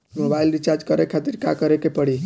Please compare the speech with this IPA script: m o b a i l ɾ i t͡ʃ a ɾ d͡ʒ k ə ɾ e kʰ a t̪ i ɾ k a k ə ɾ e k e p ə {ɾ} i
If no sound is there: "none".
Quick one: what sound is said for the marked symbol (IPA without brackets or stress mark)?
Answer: ɽ